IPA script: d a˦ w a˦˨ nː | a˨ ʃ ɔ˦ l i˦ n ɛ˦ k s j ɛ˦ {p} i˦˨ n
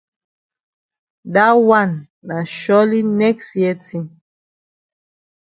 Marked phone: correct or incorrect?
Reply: incorrect: t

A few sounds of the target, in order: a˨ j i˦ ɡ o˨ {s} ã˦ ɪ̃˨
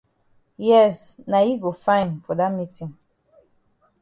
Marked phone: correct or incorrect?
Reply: incorrect: f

